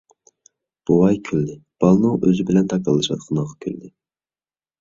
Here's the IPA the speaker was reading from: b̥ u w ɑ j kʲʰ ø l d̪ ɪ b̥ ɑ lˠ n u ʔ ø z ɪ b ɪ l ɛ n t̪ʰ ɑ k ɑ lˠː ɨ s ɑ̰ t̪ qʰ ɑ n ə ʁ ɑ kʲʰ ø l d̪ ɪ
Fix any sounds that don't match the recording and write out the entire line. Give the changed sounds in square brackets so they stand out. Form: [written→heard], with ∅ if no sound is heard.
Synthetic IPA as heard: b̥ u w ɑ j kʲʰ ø l d̪ ɪ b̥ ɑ lˠ n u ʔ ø z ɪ b ɪ l ɛ n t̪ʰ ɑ k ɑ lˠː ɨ [s→ʃ] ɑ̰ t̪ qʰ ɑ n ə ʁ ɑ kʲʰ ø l d̪ ɪ